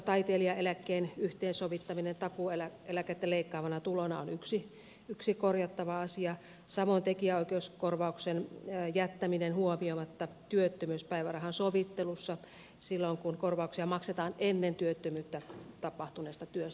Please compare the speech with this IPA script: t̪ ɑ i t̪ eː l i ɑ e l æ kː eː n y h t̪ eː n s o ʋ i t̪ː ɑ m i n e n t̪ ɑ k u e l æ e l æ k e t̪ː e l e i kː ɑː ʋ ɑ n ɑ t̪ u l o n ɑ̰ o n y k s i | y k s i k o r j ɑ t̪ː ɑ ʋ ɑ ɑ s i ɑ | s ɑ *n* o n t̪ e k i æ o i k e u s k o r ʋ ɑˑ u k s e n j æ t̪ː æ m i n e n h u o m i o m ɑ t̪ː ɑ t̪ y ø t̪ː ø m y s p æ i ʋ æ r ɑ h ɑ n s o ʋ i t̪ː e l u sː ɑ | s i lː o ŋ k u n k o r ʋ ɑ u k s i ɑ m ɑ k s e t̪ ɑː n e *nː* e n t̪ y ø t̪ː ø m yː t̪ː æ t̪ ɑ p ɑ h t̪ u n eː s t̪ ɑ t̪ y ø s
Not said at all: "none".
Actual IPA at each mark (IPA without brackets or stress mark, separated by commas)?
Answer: m, nː